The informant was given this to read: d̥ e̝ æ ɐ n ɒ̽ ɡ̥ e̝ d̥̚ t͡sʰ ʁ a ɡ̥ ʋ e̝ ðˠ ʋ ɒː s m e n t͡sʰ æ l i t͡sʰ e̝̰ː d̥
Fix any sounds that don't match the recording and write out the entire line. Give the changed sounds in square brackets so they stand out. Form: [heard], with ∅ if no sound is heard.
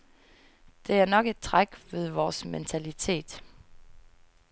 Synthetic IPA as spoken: d̥ e̝ æ ɐ n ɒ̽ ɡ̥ e̝ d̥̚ t͡sʰ ʁ a ɡ̥ ʋ e̝ ðˠ ʋ ɒː s m e n t͡sʰ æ l i t͡sʰ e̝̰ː d̥